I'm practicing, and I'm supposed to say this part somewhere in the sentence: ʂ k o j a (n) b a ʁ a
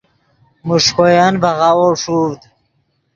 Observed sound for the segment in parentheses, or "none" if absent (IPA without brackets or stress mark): n